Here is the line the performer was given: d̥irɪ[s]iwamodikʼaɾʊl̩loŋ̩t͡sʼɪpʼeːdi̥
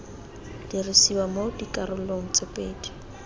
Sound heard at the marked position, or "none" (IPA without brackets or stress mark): s